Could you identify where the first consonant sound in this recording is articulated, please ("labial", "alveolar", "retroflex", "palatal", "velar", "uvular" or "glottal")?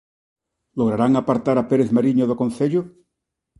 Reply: alveolar